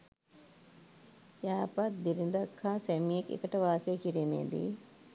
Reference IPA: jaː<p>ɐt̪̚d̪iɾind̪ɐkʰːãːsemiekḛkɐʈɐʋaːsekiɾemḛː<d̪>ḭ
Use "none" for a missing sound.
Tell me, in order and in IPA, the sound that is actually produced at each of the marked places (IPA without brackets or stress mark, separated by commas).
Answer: p, d̪